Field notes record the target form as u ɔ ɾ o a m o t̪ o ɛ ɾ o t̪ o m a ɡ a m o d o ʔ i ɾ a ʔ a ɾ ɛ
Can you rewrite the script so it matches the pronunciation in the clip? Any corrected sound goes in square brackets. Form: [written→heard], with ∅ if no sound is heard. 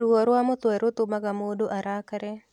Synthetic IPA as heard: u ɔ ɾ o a m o t̪ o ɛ ɾ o t̪ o m a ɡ a m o d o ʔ [i→a] ɾ a [ʔ→k] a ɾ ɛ